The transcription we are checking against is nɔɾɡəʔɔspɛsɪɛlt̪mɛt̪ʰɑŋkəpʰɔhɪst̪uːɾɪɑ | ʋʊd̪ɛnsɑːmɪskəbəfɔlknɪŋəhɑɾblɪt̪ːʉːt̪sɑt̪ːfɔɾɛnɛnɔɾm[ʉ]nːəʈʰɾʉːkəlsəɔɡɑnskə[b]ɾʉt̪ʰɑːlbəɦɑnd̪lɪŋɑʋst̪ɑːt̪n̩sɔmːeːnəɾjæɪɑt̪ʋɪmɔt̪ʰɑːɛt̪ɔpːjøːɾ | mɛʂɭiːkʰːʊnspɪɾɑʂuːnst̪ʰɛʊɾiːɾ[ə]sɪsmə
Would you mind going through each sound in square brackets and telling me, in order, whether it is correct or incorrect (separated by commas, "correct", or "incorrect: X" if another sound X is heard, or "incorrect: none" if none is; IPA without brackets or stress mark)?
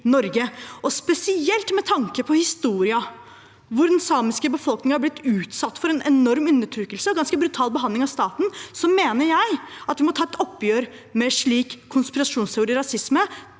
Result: correct, correct, incorrect: ɑ